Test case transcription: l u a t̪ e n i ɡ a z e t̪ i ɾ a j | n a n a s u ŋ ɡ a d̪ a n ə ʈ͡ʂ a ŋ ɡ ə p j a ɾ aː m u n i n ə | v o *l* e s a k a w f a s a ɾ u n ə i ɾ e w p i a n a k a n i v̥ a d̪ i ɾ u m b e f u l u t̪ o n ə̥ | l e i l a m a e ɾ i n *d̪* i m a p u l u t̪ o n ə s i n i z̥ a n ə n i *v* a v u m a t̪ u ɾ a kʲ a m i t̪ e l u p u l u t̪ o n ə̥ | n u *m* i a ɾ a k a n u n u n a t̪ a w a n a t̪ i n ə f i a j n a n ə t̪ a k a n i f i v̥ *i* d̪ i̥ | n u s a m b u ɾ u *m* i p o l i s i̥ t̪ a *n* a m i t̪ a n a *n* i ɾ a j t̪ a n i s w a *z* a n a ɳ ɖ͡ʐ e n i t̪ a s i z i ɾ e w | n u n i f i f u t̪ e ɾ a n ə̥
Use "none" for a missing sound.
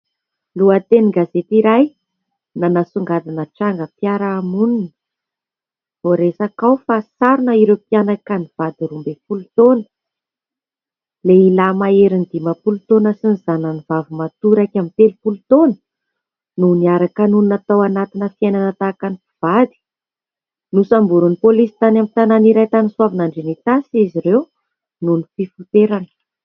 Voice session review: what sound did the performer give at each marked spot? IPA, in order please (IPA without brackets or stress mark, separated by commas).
ɾ, d̪, v, n, a, n, n, n, v